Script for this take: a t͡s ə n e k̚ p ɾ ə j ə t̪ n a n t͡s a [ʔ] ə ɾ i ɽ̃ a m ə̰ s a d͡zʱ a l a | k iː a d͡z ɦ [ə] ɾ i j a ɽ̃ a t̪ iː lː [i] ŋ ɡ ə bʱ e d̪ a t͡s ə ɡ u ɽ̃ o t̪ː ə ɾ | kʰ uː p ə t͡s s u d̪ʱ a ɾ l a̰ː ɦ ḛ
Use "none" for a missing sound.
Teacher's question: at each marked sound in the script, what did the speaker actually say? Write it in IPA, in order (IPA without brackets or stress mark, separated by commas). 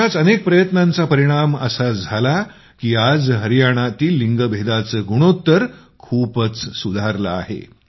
p, ə, i